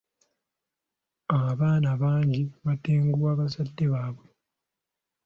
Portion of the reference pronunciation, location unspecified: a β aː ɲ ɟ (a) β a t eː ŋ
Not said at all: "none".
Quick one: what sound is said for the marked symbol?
i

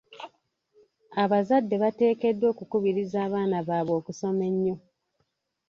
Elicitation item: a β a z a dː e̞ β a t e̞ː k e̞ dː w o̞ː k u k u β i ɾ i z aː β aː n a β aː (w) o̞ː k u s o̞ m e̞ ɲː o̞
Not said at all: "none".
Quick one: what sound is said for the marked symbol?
β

